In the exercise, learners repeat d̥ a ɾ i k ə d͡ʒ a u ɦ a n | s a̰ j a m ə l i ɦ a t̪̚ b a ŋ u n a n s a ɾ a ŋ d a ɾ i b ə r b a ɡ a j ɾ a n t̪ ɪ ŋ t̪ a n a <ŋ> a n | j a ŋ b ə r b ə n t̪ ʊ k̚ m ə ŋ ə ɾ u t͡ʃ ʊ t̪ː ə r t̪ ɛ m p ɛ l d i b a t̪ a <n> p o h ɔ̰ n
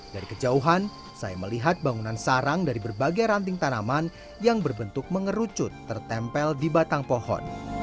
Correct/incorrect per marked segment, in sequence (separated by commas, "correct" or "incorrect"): incorrect, incorrect